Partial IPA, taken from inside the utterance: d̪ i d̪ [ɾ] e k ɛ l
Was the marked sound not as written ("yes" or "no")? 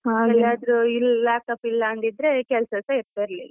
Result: no